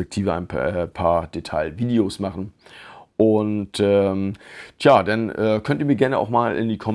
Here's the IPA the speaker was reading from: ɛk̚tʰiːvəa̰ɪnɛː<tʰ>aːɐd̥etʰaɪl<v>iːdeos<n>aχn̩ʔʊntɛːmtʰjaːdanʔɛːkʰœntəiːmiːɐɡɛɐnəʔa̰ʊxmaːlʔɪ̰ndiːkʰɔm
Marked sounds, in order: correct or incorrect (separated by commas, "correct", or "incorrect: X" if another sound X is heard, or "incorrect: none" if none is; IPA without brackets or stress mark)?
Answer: incorrect: pʰ, correct, incorrect: m